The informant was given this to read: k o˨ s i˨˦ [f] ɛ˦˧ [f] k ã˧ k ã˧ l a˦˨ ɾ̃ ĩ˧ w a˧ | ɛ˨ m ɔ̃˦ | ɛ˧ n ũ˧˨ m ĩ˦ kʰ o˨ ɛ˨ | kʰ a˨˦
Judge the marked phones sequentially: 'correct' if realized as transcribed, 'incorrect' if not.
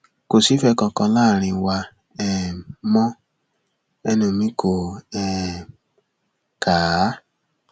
correct, incorrect: none

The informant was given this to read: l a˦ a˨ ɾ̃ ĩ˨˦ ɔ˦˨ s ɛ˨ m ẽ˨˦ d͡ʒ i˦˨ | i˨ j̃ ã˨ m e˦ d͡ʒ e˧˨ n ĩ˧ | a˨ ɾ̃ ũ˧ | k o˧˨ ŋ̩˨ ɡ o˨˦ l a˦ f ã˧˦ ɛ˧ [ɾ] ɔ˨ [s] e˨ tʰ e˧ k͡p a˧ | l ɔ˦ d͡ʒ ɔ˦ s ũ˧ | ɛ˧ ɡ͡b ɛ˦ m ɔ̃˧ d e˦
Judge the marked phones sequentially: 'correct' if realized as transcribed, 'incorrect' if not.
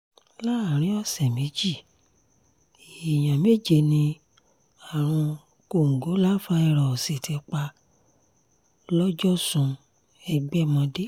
correct, correct

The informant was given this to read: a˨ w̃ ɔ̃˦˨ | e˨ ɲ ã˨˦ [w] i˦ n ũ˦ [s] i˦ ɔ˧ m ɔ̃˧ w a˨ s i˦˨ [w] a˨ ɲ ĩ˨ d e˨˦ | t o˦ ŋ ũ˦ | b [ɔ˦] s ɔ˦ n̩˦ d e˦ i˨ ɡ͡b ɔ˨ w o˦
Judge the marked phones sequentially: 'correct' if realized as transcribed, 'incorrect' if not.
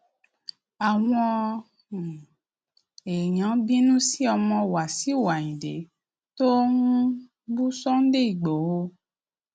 incorrect: b, correct, correct, incorrect: u˦

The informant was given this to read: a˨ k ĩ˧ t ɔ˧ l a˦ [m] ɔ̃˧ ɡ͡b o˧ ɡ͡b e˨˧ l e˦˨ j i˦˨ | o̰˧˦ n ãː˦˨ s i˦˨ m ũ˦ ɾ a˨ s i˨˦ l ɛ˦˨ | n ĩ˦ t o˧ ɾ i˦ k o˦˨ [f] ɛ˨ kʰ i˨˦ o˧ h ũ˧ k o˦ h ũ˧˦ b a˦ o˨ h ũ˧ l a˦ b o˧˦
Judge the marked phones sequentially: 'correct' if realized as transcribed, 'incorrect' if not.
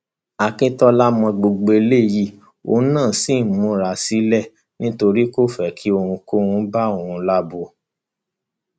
correct, correct

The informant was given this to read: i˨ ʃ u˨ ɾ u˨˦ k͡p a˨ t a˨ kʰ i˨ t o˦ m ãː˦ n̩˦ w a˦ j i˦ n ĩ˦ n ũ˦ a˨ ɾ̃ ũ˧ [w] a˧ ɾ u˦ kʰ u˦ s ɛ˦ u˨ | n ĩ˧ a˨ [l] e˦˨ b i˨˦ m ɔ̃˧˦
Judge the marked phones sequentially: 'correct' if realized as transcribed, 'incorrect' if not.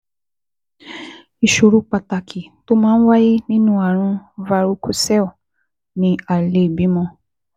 incorrect: v, correct

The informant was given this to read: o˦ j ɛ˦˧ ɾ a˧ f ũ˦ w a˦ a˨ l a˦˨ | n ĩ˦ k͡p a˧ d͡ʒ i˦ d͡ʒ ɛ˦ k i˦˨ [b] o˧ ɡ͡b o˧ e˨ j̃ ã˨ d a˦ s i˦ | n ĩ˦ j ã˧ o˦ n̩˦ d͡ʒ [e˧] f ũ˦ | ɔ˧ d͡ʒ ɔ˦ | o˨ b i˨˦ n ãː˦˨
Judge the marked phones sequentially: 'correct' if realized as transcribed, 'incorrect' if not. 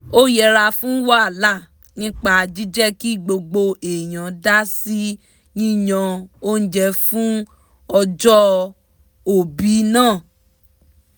incorrect: ɡ͡b, incorrect: ɛ˧

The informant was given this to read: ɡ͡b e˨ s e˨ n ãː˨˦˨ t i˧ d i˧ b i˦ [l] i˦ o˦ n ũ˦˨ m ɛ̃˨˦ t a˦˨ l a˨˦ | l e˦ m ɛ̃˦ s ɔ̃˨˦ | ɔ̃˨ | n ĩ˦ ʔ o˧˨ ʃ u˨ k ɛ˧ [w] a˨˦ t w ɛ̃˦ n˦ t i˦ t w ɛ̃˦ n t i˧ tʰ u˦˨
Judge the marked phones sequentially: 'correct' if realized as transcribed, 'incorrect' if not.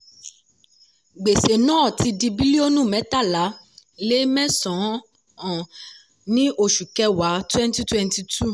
correct, correct

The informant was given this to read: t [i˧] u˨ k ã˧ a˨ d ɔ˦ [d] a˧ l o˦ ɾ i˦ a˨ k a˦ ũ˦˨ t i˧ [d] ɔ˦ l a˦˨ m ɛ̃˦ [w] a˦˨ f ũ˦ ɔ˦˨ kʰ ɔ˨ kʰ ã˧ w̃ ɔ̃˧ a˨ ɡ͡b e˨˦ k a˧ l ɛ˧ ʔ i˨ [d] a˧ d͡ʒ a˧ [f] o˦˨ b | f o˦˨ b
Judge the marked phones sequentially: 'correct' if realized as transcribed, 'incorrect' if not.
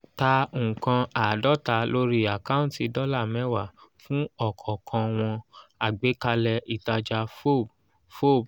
incorrect: a˧, incorrect: t, correct, correct, incorrect: t, correct

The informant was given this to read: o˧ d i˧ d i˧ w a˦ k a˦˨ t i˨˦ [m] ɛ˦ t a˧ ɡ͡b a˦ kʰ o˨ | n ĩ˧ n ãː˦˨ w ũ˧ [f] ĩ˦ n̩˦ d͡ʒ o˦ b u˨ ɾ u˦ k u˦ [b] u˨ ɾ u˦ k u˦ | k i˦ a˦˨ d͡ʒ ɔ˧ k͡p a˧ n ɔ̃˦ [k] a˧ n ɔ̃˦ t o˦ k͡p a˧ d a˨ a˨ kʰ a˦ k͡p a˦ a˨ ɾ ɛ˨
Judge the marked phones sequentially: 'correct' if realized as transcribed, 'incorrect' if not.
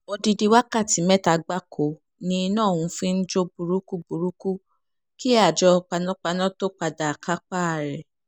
correct, correct, correct, incorrect: k͡p

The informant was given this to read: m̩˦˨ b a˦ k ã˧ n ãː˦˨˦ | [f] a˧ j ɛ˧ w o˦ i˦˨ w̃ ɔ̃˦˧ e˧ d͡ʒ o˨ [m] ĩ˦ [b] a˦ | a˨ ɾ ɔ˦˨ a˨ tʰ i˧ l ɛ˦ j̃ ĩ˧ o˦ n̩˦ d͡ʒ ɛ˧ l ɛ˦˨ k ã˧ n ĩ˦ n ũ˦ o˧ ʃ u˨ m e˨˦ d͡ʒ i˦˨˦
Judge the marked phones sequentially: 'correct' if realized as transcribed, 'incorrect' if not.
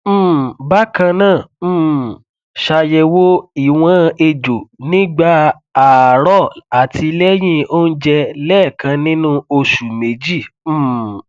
incorrect: ʃ, incorrect: n, incorrect: ɡ͡b

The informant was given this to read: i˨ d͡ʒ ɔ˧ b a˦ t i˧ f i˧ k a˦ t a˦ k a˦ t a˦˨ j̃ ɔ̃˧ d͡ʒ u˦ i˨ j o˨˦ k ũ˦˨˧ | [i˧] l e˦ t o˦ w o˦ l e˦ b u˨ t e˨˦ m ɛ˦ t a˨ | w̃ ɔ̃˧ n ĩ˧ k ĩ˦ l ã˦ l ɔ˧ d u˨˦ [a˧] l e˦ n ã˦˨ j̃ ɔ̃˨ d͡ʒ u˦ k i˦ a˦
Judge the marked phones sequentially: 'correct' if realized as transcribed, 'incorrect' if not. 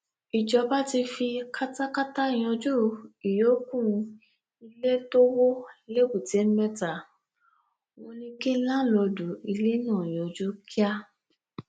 correct, incorrect: i˧

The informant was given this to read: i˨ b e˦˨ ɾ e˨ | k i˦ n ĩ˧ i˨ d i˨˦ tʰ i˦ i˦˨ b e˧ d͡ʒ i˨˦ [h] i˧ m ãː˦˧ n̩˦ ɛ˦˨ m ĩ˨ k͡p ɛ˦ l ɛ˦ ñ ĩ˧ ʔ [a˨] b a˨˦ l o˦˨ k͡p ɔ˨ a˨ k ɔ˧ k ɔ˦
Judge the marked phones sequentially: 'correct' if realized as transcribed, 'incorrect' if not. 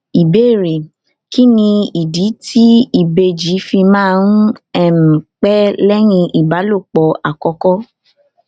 incorrect: f, incorrect: i˨

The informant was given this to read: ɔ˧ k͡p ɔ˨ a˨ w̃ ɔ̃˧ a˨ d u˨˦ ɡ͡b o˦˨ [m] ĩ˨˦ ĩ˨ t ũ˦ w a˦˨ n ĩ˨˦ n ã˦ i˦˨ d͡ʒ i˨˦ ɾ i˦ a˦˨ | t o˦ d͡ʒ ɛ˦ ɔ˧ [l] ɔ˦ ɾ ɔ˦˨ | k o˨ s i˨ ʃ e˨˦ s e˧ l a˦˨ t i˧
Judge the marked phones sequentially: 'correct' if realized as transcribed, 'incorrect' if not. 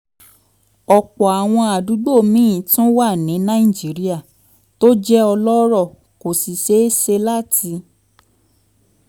correct, correct

